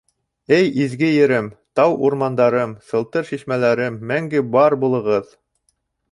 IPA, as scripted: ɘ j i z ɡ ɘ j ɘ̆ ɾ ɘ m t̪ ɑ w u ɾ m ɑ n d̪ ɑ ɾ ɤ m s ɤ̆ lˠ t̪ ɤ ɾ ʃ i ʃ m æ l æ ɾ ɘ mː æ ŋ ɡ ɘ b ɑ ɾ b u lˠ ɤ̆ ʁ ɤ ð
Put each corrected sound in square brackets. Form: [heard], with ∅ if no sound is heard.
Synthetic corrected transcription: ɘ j i z ɡ ɘ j ɘ̆ ɾ ɘ m t̪ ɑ w u ɾ m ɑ n d̪ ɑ ɾ ɤ m s ɤ̆ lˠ t̪ ɤ ɾ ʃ i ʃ m æ l æ ɾ ɘ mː æ ŋ ɡ ɘ b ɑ ɾ b u lˠ ɤ̆ ʁ ɤ ð